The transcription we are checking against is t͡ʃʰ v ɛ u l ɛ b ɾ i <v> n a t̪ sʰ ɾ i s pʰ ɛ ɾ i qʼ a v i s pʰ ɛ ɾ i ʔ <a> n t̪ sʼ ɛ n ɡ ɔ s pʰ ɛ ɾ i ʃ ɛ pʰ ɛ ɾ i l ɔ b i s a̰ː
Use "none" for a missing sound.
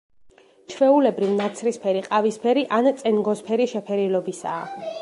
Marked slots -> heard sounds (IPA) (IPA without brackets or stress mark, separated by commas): v, a